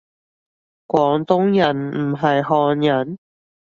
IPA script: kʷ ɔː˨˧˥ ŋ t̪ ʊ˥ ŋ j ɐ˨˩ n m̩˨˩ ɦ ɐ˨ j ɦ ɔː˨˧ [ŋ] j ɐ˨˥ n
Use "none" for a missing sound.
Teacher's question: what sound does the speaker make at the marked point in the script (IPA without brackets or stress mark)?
n